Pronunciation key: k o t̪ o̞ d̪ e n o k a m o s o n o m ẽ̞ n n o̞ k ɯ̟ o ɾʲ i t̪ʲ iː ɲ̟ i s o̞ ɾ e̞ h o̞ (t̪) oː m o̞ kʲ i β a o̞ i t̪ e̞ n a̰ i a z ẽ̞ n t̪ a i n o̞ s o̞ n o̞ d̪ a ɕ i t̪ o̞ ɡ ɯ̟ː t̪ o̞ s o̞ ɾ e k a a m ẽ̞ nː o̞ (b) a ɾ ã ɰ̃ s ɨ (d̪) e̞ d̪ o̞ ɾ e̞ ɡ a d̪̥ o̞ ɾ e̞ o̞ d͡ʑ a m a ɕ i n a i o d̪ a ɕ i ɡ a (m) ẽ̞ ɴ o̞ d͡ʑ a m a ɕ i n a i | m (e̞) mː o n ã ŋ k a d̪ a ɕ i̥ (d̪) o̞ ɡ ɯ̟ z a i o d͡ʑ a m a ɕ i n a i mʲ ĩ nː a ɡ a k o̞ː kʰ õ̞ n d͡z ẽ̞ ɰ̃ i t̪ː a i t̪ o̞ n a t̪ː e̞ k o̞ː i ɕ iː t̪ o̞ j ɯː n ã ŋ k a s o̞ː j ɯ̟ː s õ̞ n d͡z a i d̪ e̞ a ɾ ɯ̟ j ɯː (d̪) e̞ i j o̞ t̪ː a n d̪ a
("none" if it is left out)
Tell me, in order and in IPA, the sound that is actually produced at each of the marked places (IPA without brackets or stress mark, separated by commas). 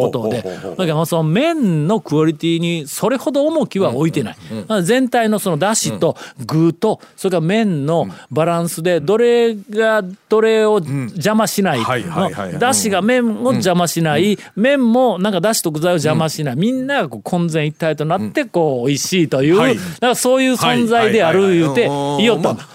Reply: d̪, b, d̪, m, ẽ̞, t̪, t̪